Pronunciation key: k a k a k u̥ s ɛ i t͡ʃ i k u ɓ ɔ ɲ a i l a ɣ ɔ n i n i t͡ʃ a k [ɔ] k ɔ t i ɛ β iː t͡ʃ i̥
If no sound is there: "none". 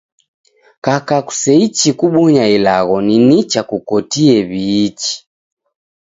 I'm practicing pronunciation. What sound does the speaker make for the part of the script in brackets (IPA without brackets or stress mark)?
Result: u